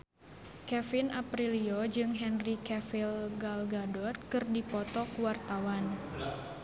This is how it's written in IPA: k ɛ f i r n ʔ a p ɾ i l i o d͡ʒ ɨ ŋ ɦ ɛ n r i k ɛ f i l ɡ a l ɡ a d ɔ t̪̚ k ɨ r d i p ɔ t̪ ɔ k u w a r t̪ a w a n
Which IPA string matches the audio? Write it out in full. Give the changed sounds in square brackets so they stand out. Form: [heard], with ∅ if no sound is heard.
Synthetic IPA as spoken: k ɛ f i [∅] n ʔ a p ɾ i l i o d͡ʒ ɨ ŋ ɦ ɛ n r i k ɛ f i l ɡ a l ɡ a d ɔ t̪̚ k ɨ r d i p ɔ t̪ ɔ k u w a r t̪ a w a n